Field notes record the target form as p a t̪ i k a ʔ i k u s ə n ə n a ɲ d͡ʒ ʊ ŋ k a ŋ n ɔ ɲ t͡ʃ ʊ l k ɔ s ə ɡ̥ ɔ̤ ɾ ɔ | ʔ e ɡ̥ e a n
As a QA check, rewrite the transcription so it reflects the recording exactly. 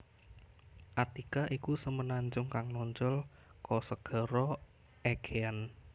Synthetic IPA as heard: ʔ a t̪ i k a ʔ i k u s ə m ə n a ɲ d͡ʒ ʊ ŋ k a ŋ n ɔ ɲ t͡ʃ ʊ l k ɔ s ə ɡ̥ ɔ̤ ɾ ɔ | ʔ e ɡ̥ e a n